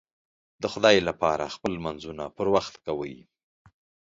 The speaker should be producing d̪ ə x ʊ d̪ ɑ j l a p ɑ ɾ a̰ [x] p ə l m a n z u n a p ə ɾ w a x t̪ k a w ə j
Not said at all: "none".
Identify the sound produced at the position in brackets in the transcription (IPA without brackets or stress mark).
x